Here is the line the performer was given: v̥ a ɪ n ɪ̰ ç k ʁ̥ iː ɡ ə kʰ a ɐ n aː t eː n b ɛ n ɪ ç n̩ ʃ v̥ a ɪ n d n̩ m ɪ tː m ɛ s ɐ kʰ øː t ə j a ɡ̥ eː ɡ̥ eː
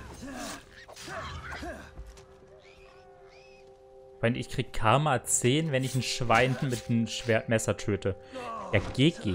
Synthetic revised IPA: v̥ a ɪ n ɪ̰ ç k ʁ̥ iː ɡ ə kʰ a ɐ m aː t͡s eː n v ɛ n ɪ ç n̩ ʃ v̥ a ɪ n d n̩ m ɪ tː m ɛ s ɐ tʰ øː t ə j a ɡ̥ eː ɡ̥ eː